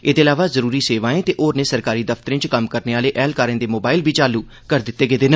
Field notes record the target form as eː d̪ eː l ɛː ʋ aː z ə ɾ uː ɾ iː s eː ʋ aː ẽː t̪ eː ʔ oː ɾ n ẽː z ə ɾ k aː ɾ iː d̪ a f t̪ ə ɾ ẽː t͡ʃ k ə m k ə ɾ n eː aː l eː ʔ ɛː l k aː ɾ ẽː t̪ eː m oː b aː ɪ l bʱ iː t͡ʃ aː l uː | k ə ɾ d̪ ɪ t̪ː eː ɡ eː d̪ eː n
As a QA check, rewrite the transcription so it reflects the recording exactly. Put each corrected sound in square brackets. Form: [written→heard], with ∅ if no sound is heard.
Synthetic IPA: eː d̪ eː l [ɛː→aː] ʋ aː z ə ɾ uː ɾ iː s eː ʋ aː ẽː t̪ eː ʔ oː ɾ n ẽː [z→s] ə ɾ k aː ɾ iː d̪ [a→ə] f t̪ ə ɾ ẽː t͡ʃ k ə m k ə ɾ n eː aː l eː ʔ ɛː l k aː ɾ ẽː [t̪→d̪] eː m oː b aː ɪ l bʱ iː t͡ʃ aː l uː | k ə ɾ d̪ ɪ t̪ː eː ɡ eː d̪ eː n